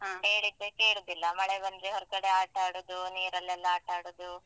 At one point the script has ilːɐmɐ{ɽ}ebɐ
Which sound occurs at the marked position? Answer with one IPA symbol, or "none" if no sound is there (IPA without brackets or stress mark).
ɭ